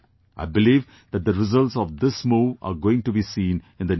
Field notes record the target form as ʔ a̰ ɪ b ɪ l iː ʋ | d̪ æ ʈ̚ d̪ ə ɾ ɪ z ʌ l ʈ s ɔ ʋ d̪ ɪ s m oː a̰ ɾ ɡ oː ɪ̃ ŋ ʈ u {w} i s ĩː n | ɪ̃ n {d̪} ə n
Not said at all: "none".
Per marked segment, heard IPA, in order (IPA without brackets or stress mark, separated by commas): b, d̪